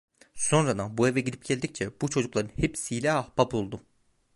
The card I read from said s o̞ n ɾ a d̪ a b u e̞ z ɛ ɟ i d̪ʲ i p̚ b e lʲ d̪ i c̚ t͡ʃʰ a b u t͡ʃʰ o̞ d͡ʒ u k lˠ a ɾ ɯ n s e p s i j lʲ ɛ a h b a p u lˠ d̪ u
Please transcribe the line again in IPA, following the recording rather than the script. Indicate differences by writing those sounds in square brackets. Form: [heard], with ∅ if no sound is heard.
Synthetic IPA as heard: s o̞ n ɾ a d̪ a b u e̞ [v] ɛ ɟ i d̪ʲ i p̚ [ɟ] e lʲ d̪ i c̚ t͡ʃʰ [ɛ] b u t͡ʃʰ o̞ d͡ʒ u k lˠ a ɾ ɯ n [h] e p s i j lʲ ɛ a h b a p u lˠ d̪ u